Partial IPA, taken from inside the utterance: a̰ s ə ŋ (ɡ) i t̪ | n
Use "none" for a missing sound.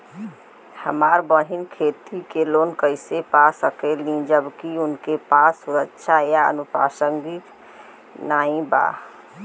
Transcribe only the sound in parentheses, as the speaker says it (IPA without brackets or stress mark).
ɡ